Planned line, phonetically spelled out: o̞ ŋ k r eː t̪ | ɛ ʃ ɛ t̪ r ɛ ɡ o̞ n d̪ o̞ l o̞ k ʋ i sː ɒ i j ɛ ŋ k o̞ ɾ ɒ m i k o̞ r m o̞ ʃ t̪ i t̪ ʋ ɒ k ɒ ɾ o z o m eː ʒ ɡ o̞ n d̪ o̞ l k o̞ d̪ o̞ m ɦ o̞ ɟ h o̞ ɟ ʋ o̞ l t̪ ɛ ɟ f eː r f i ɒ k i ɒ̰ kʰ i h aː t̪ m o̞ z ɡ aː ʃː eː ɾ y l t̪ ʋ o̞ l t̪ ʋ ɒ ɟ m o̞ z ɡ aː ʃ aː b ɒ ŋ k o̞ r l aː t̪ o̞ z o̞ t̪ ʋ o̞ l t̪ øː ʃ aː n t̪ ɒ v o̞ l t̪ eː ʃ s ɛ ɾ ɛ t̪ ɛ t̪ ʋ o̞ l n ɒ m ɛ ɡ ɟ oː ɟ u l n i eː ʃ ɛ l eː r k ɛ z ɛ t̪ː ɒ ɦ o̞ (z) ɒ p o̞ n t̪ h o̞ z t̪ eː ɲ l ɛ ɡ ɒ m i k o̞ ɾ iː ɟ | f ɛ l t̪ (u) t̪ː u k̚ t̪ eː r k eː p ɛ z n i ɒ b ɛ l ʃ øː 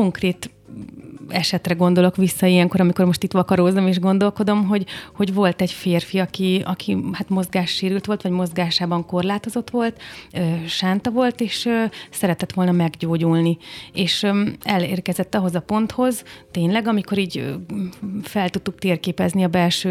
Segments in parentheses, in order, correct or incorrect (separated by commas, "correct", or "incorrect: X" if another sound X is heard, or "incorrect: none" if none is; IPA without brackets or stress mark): correct, correct